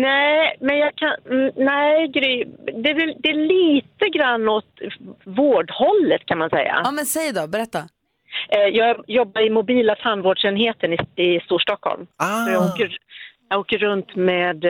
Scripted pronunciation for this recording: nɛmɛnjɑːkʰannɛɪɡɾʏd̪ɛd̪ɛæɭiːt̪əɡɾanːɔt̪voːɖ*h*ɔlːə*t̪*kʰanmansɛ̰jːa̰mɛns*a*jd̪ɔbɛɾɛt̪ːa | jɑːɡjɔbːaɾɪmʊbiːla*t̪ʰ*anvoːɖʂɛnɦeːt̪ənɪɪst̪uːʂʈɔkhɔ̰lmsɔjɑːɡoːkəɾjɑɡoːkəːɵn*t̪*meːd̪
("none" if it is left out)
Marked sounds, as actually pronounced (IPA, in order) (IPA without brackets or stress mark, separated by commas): h, t̪, ɛ, t̪ʰ, t̪